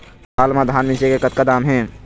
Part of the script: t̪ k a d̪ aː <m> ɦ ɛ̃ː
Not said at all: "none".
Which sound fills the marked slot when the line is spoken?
m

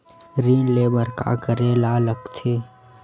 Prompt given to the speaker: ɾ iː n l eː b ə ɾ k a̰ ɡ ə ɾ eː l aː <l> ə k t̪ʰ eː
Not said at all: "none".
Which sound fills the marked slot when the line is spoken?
l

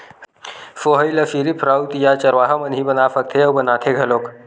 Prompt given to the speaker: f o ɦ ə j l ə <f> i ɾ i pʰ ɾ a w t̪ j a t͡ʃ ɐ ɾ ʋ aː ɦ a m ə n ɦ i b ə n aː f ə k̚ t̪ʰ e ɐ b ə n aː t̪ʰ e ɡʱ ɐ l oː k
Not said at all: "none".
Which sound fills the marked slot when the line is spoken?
f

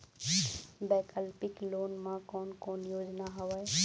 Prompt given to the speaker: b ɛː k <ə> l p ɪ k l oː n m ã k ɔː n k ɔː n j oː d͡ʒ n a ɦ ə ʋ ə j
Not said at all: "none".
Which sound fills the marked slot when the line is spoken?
ə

